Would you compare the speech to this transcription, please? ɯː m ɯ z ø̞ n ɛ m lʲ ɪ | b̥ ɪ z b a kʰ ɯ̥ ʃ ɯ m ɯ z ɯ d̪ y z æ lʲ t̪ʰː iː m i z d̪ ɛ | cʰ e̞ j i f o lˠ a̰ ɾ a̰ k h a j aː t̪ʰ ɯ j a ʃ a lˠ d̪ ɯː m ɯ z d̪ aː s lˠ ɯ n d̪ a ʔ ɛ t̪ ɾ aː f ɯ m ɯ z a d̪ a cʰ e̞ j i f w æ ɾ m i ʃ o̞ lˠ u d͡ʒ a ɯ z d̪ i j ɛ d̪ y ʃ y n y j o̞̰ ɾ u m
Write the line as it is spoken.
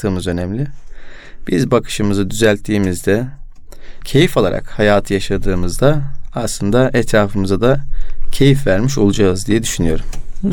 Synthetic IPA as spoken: ɯː m ɯ z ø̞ n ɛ m lʲ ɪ | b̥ i z b a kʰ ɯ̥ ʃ ɯ m ɯ z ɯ d̪ y z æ lʲ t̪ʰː iː m i z d̪ ɛ | cʰ e̞ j i f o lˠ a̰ ɾ a̰ k h a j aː t̪ʰ ɯ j a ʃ a d̪ ɯː m ɯ z d̪ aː s lˠ ɯ n d̪ a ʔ ɛ t̪ ɾ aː f ɯ m ɯ z a d̪ a cʰ e̞ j i f v æ ɾ m i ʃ o̞ lˠ u d͡ʒ a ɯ z d̪ i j ɛ d̪ y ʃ y n y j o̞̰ ɾ u m